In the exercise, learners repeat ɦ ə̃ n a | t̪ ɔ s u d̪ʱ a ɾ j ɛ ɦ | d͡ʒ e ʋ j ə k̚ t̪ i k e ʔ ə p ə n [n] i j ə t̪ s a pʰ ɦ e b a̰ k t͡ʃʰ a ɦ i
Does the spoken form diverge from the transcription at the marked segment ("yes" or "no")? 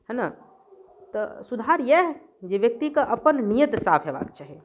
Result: no